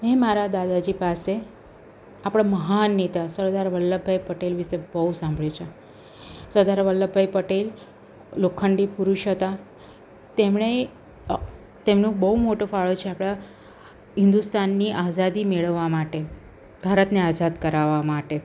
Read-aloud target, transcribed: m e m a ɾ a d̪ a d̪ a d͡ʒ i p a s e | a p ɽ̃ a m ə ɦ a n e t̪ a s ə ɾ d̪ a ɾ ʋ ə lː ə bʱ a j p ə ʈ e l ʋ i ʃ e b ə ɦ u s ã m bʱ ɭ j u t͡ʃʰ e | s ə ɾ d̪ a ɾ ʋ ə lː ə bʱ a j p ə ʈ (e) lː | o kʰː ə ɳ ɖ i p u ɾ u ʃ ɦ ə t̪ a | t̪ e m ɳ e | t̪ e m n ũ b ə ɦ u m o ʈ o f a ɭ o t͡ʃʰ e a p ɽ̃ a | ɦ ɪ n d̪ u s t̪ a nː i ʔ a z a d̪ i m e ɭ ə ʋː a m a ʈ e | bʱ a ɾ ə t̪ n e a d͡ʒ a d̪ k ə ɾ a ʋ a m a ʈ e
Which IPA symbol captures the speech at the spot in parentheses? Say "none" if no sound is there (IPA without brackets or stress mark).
e